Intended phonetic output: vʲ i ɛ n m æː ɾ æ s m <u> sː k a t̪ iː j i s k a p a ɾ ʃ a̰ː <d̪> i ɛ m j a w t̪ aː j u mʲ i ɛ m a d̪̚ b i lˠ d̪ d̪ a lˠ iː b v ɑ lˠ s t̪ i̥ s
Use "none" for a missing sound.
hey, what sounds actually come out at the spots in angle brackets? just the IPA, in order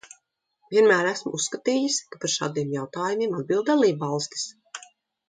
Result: u, d̪

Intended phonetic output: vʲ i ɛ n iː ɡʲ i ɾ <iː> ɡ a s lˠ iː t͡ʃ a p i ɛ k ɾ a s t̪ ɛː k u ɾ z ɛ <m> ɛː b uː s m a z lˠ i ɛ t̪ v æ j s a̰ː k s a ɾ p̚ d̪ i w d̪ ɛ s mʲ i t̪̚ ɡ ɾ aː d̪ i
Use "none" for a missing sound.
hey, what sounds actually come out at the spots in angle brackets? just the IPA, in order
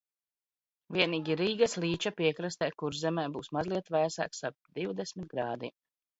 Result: iː, m

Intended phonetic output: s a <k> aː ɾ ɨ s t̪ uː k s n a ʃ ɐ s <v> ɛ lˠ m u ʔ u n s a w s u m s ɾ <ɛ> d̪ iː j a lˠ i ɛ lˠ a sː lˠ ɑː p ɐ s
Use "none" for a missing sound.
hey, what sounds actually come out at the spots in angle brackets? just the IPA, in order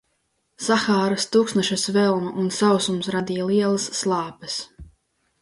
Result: x, v, a

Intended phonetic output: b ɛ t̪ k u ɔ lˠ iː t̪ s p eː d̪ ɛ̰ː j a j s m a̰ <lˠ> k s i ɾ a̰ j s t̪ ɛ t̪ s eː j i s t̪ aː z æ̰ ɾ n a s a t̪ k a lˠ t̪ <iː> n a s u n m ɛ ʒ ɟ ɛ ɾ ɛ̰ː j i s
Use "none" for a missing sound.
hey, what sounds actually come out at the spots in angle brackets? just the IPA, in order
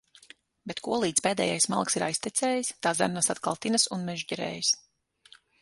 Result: lˠ, i

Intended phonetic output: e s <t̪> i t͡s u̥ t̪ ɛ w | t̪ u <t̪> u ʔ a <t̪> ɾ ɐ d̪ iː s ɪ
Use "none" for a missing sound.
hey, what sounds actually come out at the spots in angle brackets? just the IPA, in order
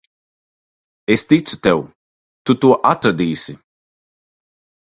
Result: t̪, t̪, t̪

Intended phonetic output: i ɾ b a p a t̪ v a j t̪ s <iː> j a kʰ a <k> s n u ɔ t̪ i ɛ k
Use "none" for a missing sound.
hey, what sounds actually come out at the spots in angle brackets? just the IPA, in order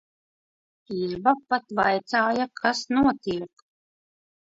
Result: aː, none

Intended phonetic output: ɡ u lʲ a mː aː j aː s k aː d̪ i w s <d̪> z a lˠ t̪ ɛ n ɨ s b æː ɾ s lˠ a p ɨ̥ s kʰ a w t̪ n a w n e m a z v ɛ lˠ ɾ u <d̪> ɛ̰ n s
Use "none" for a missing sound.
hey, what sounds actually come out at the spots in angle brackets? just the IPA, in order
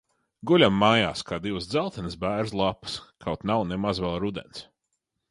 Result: d̪, d̪

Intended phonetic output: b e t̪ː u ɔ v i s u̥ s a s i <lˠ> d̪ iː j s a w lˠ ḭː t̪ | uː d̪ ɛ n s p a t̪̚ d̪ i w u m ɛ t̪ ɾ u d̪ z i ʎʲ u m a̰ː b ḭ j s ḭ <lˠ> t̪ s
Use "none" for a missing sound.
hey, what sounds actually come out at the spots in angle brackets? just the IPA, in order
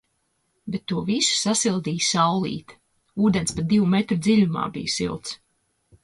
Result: lˠ, lˠ

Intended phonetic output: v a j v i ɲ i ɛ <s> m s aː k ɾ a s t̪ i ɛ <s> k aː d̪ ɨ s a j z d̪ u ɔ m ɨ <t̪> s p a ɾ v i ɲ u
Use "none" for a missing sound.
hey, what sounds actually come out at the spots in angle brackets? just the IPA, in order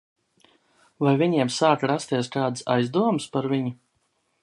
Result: none, s, none

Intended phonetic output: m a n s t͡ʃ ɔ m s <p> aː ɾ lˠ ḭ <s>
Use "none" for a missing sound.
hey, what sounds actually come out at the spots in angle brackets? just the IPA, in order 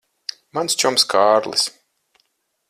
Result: k, s

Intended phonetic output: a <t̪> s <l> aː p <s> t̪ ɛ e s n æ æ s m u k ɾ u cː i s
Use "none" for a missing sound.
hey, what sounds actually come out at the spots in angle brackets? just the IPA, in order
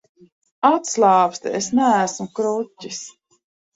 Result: t̪, l, s

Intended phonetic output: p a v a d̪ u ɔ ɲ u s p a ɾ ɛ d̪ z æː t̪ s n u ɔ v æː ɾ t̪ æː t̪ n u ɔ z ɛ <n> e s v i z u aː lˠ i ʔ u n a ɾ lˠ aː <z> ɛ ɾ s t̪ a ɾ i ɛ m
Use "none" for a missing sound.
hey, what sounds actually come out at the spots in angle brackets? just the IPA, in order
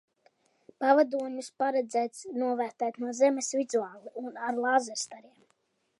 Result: m, z

